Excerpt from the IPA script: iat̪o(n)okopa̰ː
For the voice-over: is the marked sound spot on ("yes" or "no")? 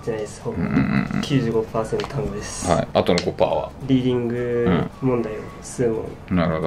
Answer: yes